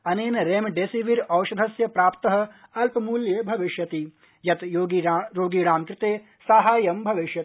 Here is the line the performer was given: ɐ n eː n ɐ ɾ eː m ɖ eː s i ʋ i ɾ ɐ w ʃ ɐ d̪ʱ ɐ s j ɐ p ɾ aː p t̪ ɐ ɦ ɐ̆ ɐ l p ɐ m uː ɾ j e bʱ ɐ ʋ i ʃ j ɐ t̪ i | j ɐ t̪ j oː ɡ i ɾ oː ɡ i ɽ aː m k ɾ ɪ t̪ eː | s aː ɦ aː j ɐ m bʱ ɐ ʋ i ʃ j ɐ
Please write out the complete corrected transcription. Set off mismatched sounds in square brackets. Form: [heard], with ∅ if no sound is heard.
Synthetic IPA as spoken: ɐ n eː n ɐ ɾ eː m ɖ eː s i ʋ i ɾ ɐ w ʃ ɐ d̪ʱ ɐ s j ɐ p ɾ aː p t̪ ɐ ɦ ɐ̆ ɐ l p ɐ m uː [l] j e bʱ ɐ ʋ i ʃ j ɐ t̪ i | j ɐ t̪ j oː ɡ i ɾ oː ɡ i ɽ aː m k ɾ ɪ t̪ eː | s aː ɦ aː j ɐ m bʱ ɐ ʋ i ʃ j ɐ